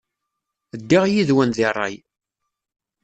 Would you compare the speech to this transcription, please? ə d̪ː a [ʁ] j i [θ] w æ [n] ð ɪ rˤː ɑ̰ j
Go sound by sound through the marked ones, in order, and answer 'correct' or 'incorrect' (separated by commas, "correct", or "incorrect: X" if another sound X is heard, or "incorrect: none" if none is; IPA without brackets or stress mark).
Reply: correct, incorrect: ð, correct